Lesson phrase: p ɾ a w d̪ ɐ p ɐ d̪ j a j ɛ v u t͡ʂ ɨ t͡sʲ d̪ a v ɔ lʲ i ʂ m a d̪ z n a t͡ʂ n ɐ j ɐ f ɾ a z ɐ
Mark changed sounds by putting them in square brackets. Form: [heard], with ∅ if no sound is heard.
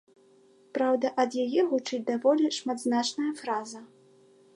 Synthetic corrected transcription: p ɾ a w d̪ ɐ [ʔ] ɐ d̪ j a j ɛ [ɣ] u t͡ʂ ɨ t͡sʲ d̪ a v ɔ lʲ i ʂ m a d̪ z n a t͡ʂ n ɐ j ɐ f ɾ a z ɐ